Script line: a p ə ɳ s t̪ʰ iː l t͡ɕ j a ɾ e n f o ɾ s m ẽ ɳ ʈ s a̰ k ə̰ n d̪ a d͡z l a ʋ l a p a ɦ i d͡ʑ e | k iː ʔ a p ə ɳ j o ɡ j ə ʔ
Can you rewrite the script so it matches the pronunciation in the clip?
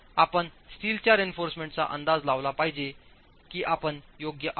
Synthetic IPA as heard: a p ə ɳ s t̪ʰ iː l t͡ɕ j a ɾ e n f o ɾ s m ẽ ɳ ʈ t͡s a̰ ʔ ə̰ n d̪ a d͡z l a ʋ l a p a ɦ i d͡ʑ e | k iː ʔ a p ə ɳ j o ɡ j ə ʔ